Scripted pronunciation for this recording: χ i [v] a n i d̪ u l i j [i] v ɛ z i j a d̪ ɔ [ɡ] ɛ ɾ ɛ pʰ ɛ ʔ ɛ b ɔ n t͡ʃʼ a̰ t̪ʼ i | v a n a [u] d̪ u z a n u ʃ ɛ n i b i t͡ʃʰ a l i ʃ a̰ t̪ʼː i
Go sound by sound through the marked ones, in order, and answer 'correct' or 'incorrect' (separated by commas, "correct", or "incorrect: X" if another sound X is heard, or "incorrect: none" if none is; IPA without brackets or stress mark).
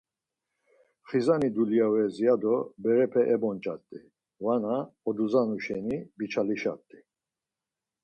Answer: incorrect: z, incorrect: a, incorrect: b, incorrect: ɔ